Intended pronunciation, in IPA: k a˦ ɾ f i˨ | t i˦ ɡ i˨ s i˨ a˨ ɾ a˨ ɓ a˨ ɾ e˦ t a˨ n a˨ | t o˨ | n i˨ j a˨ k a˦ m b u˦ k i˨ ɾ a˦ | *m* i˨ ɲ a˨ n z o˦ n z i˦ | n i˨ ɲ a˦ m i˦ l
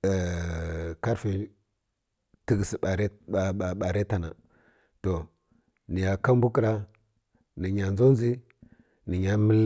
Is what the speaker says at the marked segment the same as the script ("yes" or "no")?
no